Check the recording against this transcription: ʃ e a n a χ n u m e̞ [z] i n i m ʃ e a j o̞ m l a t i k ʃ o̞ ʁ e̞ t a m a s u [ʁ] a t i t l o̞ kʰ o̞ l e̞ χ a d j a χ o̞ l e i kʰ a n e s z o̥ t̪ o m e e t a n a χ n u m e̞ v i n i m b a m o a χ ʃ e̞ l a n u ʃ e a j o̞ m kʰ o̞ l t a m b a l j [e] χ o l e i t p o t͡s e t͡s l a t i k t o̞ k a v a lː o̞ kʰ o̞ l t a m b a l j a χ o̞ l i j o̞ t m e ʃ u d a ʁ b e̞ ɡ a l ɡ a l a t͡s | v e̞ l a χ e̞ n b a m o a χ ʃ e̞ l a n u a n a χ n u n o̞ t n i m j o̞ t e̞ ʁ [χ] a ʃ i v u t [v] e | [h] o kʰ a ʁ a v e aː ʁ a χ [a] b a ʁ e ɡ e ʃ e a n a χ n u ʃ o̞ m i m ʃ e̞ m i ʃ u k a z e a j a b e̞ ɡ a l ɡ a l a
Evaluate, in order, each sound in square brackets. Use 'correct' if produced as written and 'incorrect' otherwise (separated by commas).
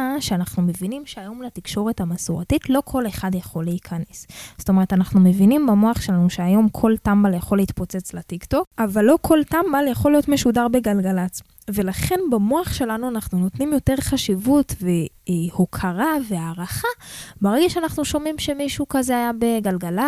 incorrect, correct, incorrect, correct, correct, correct, correct